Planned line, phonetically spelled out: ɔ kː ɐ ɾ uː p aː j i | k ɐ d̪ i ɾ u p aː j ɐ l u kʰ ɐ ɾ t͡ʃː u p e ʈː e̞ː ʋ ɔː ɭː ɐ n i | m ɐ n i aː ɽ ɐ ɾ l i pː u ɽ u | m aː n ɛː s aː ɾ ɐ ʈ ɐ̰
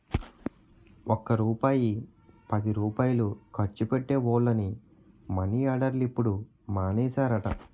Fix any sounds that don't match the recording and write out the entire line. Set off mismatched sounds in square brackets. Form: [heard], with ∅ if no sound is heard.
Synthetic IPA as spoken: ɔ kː ɐ ɾ uː p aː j i | [p] ɐ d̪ i ɾ [uː] p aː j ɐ l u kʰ ɐ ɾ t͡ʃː u p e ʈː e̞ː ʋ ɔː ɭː ɐ n i | m ɐ n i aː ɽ ɐ ɾ l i pː u ɽ u | m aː n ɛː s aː ɾ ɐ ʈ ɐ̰